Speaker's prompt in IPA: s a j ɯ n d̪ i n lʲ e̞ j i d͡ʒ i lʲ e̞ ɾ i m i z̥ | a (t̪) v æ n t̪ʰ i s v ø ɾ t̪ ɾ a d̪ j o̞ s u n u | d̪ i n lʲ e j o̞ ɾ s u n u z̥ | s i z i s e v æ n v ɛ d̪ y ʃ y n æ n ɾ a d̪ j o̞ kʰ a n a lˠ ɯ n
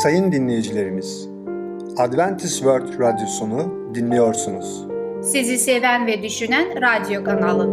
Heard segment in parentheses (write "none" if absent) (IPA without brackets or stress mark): d̪